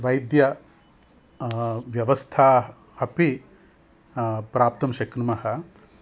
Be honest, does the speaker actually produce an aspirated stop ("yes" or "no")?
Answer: yes